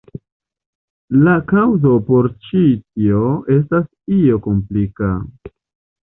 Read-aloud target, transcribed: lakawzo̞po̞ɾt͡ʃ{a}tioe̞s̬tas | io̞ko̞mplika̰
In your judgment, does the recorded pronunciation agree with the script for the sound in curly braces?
no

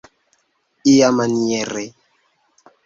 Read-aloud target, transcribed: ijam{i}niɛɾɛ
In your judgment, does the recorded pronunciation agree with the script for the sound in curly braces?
no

